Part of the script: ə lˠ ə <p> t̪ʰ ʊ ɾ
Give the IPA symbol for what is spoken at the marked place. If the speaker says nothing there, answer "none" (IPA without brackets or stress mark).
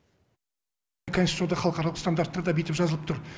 p